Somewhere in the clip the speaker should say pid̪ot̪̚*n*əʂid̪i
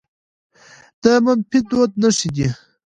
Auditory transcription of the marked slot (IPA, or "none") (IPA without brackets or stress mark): n